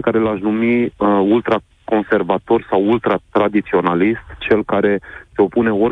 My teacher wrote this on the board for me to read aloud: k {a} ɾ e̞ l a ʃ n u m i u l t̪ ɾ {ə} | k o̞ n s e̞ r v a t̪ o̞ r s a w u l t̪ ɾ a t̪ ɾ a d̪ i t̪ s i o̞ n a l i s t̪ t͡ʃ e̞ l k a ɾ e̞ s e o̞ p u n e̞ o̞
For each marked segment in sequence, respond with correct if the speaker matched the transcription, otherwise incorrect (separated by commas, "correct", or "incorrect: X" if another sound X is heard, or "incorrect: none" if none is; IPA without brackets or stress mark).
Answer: correct, incorrect: a